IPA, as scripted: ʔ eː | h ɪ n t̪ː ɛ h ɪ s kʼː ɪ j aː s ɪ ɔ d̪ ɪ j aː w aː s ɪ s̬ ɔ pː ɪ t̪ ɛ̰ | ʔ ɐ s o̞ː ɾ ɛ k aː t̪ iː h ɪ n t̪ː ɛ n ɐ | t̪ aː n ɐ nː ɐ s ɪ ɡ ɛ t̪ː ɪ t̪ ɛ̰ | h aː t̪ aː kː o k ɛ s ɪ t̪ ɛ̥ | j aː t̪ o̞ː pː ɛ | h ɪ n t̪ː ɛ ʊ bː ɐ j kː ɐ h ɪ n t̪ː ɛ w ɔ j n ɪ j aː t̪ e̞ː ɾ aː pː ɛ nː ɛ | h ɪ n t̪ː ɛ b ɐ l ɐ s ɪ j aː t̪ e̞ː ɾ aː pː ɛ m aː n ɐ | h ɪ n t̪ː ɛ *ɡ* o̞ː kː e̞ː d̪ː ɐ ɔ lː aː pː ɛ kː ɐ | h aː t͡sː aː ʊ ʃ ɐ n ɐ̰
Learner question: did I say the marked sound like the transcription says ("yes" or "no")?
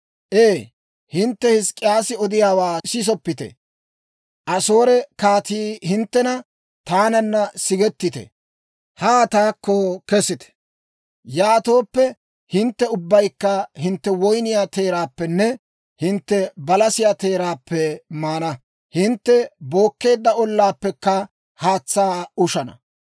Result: no